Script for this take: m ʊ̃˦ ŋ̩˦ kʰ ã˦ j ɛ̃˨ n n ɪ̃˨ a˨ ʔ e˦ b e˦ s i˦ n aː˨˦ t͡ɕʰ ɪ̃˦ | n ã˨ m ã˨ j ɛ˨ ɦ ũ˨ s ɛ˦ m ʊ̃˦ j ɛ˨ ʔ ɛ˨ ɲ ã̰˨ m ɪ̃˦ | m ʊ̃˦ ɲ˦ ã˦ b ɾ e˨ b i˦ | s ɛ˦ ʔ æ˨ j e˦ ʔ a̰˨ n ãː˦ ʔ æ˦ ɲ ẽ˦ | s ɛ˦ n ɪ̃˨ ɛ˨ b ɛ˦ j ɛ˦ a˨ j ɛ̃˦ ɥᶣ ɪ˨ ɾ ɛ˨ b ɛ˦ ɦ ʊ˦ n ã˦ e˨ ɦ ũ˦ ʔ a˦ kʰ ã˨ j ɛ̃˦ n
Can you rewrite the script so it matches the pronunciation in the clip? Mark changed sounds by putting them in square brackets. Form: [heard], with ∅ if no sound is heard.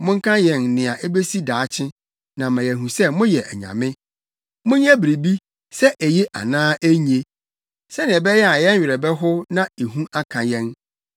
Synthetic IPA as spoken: m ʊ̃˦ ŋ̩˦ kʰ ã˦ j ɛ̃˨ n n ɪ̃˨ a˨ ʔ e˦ b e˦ s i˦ [d] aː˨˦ t͡ɕʰ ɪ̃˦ | n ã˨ m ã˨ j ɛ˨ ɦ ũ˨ s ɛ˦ m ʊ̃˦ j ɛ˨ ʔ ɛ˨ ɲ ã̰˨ m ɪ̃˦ | m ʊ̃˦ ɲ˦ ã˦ b ɾ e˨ b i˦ | s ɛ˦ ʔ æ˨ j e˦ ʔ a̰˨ n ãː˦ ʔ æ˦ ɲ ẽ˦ | s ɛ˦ n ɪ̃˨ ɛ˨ b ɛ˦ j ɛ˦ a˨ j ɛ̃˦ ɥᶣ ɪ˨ ɾ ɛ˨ b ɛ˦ ɦ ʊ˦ n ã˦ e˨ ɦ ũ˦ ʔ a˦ kʰ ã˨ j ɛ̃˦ n